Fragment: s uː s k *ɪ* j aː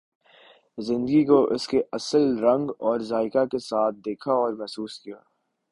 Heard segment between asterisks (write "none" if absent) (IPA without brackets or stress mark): i